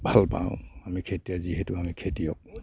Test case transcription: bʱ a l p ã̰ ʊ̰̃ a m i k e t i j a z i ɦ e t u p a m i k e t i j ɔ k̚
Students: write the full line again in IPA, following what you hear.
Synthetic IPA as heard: bʱ a l p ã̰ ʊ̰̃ a m i kʰ e t i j a z i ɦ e t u a m i kʰ e t i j ɔ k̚

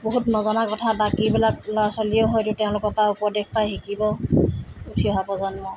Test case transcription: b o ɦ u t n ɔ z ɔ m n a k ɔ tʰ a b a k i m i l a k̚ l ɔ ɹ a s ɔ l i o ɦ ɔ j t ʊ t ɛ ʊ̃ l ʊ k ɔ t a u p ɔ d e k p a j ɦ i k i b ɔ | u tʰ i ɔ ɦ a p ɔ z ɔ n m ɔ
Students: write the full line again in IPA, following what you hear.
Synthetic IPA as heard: b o ɦ u t n ɔ z ɔ n a k ɔ tʰ a b a k i b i l a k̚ l ɔ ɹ a s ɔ l i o ɦ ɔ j t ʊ t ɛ ʊ̃ l ʊ k ɔ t a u p ɔ d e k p a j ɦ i k i b ɔ | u tʰ i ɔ ɦ a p ɔ z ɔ n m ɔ

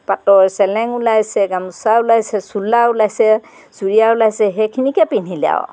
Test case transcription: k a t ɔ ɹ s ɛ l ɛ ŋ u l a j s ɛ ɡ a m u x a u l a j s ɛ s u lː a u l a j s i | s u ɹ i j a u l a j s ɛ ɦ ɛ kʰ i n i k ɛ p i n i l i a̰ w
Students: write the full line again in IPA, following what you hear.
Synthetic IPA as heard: p a t ɔ ɹ s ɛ l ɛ ŋ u l a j s ɛ ɡ a m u s a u l a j s ɛ s u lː a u l a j s ɛ | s u ɹ i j a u l a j s ɛ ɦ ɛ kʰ i n i k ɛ p i n i l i a̰ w

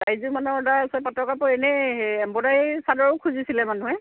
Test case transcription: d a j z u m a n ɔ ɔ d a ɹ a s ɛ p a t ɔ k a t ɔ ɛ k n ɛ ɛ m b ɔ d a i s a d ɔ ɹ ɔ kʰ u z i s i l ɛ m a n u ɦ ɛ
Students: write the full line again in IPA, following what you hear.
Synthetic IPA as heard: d a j z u m a n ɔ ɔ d a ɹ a s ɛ p a t ɔ k a p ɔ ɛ n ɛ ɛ m b ɔ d a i s a d ɔ ɹ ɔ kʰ u z i s i l ɛ m a n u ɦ ɛ

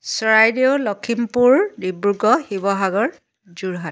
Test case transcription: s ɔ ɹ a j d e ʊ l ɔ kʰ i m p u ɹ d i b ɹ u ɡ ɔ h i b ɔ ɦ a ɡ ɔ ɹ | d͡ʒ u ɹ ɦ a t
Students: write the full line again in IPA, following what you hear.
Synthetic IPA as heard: s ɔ ɹ a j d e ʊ l ɔ kʰ i m p u ɹ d i b ɹ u ɡ ɔ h i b ɔ ɦ a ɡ ɔ ɹ | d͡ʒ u ɹ ɦ a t

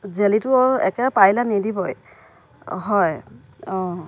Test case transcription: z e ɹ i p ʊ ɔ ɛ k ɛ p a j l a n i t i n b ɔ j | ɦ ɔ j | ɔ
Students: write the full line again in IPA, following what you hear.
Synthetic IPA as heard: z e l i t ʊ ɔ ɛ k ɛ p a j l a n i d i b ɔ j | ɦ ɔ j | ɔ

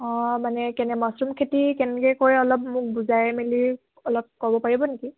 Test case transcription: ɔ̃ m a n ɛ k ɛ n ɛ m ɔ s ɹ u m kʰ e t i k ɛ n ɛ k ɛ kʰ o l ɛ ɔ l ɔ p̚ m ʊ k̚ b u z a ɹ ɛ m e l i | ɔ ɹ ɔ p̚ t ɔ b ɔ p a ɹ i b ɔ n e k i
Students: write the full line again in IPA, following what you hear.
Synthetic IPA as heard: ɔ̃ m a n ɛ k ɛ n ɛ m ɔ s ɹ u m kʰ e t i k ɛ n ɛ k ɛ k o ɹ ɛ ɔ l ɔ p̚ m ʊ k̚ b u z a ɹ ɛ m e l i | ɔ l ɔ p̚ k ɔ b ɔ p a ɹ i b ɔ n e k i

